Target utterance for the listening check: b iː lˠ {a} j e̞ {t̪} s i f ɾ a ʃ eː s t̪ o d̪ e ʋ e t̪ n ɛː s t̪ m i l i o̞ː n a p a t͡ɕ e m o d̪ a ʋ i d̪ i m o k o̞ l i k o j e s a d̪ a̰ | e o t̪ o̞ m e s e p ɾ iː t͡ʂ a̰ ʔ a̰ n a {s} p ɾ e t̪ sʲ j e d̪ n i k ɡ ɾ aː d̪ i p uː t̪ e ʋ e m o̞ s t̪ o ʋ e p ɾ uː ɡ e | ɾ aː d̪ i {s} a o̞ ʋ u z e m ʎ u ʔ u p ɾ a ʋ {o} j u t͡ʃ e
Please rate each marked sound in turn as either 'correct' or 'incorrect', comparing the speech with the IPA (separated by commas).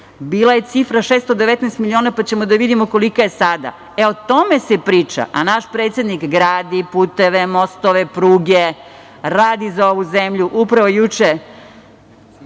correct, correct, incorrect, incorrect, correct